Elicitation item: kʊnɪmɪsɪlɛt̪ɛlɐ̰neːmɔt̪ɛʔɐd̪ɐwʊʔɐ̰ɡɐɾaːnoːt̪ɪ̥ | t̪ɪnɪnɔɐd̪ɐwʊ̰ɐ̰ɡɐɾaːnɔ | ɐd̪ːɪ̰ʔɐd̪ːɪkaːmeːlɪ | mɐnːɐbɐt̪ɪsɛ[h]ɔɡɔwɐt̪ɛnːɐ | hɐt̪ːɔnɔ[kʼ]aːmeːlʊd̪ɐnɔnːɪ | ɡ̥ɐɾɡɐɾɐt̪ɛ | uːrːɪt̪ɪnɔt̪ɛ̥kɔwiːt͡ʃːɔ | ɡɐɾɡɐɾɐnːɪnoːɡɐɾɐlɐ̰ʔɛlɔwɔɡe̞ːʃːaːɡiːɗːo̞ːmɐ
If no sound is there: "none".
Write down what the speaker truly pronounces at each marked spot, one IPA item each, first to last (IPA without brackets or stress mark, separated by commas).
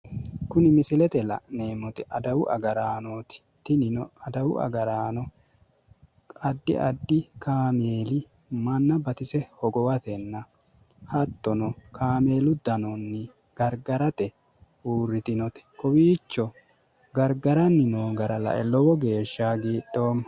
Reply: h, k